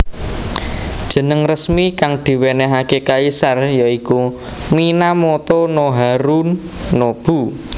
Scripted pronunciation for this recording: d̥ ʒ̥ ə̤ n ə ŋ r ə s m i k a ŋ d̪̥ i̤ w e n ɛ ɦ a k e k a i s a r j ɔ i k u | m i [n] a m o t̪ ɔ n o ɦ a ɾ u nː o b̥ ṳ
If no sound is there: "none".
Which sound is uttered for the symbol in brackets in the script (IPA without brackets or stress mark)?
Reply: n